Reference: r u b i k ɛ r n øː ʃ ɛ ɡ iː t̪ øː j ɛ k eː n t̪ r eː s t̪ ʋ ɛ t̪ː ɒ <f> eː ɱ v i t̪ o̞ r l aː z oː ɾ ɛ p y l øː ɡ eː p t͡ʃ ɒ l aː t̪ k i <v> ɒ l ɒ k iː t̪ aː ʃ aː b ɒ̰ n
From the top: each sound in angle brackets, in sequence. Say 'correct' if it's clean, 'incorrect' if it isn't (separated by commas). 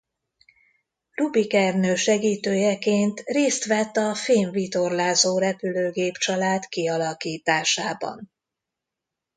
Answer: correct, incorrect